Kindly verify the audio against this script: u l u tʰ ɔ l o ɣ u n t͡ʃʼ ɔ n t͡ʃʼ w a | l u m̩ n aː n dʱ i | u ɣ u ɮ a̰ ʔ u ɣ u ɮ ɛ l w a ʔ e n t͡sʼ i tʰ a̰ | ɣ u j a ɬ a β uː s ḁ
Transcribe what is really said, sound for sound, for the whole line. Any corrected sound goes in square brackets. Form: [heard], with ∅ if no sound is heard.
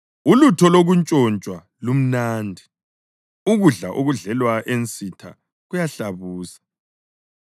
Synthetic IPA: u l u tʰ ɔ l o ɣ u n t͡ʃʼ ɔ n t͡ʃʼ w a | l u m̩ n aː n dʱ i | u ɣ u ɮ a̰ ʔ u ɣ u ɮ ɛ l w a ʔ e n t͡sʼ i tʰ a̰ | ɣ u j a ɬ a β uː s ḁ